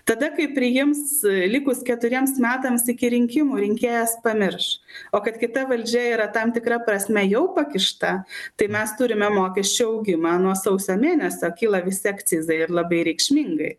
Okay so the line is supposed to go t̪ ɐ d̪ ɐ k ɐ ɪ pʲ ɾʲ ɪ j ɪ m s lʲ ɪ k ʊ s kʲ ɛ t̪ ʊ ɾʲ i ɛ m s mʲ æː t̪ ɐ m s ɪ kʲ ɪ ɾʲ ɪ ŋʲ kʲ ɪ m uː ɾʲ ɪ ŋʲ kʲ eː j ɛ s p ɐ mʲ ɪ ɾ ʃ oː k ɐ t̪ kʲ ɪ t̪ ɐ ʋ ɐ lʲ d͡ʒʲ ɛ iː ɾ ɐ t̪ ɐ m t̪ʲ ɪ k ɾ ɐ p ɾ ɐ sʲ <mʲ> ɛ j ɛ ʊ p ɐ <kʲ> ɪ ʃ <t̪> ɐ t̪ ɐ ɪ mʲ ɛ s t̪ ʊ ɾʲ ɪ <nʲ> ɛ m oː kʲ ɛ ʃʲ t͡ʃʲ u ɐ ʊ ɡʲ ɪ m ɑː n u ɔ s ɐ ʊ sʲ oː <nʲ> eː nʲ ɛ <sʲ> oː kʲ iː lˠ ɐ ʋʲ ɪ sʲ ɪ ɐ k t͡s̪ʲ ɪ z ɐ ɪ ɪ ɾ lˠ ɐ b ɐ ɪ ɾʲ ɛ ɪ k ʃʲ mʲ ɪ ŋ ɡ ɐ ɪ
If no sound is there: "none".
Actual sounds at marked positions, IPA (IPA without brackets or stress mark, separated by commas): mʲ, kʲ, t̪, mʲ, mʲ, sʲ